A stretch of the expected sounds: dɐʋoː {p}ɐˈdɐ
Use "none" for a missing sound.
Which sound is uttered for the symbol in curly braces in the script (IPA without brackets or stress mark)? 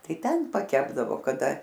k